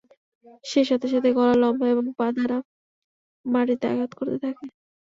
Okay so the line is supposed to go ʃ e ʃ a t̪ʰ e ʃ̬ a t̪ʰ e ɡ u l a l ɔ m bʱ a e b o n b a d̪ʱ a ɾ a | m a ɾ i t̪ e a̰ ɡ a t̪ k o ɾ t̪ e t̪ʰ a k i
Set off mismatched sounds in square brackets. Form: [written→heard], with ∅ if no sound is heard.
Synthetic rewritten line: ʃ e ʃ a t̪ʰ e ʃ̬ a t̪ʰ e ɡ [u→ɔ] l a l ɔ m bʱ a e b o [n→ŋ] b a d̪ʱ a ɾ a | m a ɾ i t̪ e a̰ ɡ a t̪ k o ɾ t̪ e t̪ʰ a k [i→e]